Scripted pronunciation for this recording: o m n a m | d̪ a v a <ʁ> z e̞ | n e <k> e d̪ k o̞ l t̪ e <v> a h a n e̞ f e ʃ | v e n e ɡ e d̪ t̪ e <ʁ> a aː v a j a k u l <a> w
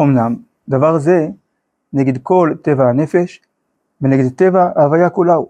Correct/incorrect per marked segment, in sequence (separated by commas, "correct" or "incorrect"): correct, incorrect, correct, incorrect, correct